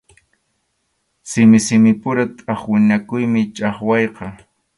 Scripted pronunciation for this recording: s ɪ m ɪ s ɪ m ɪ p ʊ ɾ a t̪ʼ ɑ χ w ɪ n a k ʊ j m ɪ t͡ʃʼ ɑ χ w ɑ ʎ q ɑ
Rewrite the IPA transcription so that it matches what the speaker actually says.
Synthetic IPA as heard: s ɪ m ɪ s ɪ m ɪ p ʊ ɾ a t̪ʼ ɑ χ w ɪ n a k ʊ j m ɪ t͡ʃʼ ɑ χ w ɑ j q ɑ